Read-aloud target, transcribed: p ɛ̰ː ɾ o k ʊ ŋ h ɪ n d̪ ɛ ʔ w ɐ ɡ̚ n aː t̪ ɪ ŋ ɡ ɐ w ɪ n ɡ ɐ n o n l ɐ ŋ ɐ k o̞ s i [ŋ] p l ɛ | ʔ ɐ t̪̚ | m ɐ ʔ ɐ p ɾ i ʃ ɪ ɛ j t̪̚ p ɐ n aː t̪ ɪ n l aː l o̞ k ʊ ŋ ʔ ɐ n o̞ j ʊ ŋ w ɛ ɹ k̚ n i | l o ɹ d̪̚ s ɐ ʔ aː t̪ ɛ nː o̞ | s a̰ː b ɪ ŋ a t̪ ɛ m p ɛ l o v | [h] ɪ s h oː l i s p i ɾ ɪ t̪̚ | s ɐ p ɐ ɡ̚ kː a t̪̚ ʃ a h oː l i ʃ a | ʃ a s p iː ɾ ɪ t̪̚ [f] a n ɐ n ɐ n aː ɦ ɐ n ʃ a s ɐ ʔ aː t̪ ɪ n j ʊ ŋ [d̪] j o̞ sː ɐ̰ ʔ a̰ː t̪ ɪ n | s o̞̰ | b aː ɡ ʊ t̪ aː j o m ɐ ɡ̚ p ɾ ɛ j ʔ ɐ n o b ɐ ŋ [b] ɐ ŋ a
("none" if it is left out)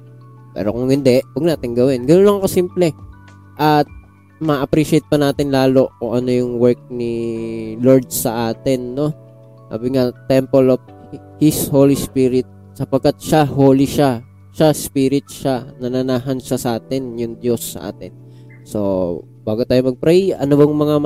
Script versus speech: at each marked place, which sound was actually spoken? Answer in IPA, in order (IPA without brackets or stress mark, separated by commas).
m, h, ʃ, d̪, m